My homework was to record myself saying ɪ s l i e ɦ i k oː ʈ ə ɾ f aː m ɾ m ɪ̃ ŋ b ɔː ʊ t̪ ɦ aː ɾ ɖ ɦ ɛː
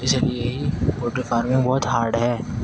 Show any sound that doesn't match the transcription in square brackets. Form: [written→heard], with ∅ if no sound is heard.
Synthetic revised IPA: ɪ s l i e ɦ i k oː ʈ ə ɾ f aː [m→∅] ɾ m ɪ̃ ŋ b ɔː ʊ t̪ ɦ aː ɾ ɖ ɦ ɛː